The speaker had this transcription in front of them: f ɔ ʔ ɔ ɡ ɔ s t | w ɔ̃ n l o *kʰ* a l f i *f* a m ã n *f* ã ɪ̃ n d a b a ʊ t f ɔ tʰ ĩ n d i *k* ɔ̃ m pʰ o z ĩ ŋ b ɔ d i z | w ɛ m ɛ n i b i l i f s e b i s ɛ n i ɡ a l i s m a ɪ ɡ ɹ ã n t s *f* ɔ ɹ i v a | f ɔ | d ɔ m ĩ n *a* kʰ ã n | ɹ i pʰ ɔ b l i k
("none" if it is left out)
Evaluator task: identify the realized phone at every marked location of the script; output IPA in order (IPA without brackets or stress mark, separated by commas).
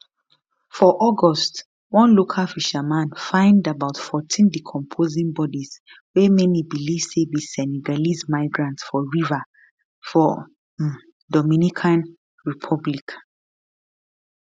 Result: kʰ, ʃ, f, kʰ, f, i